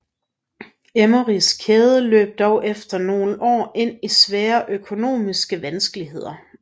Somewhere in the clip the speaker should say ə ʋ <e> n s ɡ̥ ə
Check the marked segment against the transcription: incorrect: æ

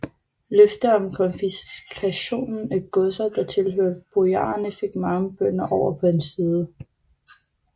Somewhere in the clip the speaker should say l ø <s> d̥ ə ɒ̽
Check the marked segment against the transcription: incorrect: f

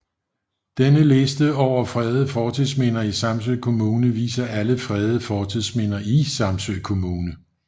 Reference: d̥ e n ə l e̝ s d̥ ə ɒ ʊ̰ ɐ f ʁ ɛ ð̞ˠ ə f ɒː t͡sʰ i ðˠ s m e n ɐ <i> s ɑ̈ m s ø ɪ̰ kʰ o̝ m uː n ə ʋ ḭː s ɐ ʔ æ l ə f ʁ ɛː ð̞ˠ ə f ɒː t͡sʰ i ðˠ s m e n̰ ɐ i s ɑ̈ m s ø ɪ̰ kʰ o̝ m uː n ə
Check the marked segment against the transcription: correct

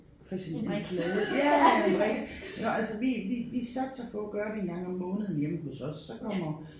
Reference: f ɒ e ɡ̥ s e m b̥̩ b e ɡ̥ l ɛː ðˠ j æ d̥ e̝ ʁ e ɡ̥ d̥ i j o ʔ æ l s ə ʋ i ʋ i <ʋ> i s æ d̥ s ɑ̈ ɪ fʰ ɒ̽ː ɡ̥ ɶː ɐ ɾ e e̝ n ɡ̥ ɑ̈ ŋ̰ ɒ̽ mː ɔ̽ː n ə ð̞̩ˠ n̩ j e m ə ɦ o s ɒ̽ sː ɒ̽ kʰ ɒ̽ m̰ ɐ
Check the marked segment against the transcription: correct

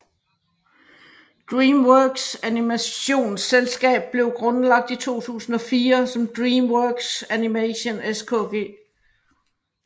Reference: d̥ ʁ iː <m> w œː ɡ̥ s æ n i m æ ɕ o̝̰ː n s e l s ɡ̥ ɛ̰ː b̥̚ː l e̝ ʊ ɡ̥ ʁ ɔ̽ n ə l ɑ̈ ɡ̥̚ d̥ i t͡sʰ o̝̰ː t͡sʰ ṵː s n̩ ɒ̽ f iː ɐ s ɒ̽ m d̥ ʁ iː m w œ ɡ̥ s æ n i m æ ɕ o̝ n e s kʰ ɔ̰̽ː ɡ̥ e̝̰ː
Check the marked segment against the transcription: correct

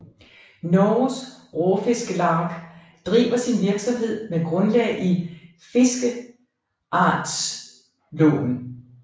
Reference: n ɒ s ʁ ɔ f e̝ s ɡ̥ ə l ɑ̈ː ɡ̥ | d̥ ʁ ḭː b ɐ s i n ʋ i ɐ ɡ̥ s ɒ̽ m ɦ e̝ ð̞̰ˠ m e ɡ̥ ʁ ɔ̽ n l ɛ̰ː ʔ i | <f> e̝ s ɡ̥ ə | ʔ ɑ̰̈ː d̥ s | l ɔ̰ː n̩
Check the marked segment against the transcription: correct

